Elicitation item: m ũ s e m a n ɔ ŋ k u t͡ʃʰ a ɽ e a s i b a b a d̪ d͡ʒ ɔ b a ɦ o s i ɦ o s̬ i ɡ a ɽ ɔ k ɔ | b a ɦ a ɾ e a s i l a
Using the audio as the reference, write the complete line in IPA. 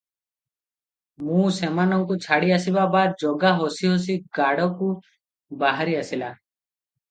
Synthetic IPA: m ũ s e m a n ɔ ŋ k u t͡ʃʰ a ɽ i a s i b a b a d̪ d͡ʒ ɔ ɡ a ɦ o s i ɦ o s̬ i ɡ a ɽ ɔ k u | b a ɦ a ɾ i a s i l a